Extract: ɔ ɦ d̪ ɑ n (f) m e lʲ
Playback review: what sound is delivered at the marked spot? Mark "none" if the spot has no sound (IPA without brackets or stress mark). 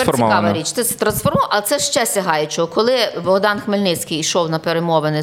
x